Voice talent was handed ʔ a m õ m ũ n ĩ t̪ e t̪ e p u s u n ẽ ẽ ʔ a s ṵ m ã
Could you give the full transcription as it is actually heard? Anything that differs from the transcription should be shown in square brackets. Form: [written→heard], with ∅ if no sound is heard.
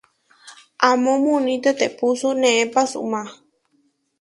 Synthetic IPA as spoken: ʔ a m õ m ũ n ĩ t̪ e t̪ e p u s u n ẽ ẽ [ʔ→p] a s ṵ m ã